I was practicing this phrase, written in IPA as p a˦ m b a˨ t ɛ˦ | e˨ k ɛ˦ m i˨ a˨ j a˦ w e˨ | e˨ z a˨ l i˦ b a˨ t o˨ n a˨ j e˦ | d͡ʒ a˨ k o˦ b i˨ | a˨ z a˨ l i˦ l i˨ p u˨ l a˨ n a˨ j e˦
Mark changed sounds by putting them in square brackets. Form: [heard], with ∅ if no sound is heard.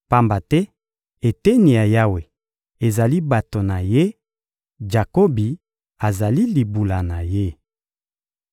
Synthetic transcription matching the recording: p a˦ m b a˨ t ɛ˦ | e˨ [t] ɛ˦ [n] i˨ a˨ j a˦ w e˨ | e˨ z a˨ l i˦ b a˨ t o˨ n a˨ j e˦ | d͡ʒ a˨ k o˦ b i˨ | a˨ z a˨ l i˦ l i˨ [b] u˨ l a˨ n a˨ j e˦